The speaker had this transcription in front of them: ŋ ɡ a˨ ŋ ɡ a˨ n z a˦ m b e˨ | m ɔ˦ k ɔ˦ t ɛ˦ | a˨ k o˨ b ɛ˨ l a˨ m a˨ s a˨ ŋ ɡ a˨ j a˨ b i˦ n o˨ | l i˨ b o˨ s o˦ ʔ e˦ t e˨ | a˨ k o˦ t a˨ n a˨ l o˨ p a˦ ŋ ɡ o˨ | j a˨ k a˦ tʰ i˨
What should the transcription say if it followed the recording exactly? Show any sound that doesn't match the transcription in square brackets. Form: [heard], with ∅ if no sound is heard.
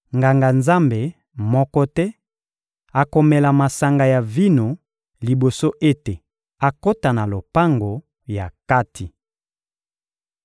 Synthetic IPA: ŋ ɡ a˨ ŋ ɡ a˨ n z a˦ m b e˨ | m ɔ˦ k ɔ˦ t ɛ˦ | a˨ k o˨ [m] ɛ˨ l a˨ m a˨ s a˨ ŋ ɡ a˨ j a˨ [v] i˦ n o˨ | l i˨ b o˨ s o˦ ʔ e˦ t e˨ | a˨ k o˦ t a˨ n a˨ l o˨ p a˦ ŋ ɡ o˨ | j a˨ k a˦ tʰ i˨